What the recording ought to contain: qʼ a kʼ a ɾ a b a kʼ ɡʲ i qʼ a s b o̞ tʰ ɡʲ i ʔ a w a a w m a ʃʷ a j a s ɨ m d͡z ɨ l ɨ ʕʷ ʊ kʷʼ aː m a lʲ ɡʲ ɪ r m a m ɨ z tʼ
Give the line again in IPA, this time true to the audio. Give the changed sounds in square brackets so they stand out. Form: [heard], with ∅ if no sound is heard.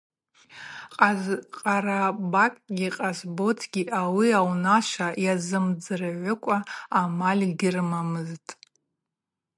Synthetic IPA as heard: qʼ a [qʼ] a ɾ a b a kʼ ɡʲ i qʼ a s b o̞ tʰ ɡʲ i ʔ a w [i] a w [n] a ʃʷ a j a [z] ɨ m d͡z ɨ [r] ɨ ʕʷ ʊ kʷʼ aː m a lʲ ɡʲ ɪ r m a m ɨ z tʼ